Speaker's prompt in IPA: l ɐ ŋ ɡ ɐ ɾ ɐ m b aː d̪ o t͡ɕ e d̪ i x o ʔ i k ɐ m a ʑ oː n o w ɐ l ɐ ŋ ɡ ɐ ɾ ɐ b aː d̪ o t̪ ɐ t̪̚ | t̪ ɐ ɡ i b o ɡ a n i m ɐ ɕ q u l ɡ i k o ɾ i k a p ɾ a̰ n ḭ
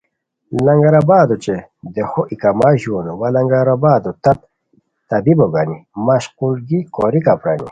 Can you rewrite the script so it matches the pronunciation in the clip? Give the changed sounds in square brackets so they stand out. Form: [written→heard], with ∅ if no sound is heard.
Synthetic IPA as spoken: l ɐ ŋ ɡ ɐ ɾ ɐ [m→∅] b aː d̪ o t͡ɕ e d̪ [i→e] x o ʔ i k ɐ m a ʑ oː n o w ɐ l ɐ ŋ ɡ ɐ ɾ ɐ b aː d̪ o t̪ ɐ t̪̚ | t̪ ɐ [ɡ→b] i b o ɡ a n i m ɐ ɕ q u l ɡ i k o ɾ i k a p ɾ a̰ n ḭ